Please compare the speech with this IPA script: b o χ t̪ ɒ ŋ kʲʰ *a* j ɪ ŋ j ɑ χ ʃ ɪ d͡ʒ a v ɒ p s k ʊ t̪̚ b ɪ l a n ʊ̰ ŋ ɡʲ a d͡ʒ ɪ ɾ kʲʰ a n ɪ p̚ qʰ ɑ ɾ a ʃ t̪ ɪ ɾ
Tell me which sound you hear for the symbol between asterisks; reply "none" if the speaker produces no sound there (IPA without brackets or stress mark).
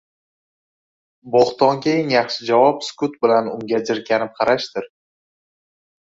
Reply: e